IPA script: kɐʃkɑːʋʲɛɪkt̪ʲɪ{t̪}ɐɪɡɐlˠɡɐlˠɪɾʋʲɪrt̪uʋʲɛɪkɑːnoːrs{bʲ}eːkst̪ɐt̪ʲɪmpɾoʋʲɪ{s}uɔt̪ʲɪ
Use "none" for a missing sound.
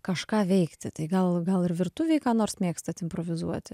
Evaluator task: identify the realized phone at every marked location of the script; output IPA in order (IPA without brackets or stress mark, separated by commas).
t̪, mʲ, z